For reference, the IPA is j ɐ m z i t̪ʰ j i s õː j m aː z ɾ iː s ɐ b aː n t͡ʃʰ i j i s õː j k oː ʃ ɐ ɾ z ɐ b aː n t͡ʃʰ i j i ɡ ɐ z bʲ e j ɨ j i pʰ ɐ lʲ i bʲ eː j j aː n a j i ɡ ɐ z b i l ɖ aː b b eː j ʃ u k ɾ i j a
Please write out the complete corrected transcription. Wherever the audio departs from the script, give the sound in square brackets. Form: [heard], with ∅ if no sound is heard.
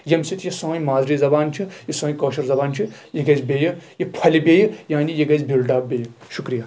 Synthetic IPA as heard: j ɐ m [s] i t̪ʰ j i s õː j m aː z ɾ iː [z] ɐ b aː n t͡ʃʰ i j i s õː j k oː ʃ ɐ ɾ z ɐ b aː n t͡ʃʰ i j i ɡ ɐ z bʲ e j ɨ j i pʰ ɐ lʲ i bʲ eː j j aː n [i] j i ɡ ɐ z b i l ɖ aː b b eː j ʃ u k ɾ i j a